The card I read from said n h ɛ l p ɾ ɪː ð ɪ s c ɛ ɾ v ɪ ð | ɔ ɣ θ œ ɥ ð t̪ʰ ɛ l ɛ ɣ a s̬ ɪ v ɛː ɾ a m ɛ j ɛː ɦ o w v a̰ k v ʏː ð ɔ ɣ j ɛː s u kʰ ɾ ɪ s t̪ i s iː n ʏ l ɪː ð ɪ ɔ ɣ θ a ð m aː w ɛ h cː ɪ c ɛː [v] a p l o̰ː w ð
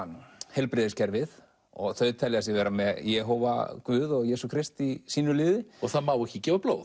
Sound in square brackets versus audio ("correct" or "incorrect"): correct